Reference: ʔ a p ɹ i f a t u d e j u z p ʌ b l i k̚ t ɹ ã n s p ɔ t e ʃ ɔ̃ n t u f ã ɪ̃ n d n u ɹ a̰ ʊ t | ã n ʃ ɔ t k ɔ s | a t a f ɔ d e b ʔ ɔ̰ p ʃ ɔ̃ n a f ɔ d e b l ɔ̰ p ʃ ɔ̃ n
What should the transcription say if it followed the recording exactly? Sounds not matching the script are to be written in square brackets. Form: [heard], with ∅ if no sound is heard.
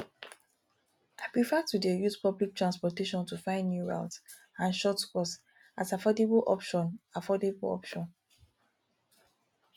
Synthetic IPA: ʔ a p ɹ i f a t u d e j u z p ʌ b l i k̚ t ɹ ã n s p ɔ t e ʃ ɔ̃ n t u f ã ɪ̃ n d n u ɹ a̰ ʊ t | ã n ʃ ɔ t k ɔ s | a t a f ɔ d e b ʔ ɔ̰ p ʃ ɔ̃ n a f ɔ d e b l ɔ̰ p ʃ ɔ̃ n